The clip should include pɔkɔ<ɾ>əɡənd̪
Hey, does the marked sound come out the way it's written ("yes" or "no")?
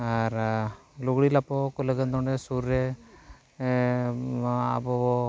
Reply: no